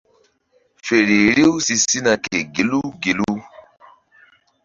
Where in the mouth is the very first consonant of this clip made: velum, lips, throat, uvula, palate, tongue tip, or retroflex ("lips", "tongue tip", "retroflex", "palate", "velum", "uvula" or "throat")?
lips